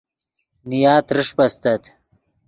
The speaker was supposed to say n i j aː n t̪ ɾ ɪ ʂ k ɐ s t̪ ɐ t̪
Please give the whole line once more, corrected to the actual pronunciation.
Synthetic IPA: n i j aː t̪ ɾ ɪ ʂ p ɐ s t̪ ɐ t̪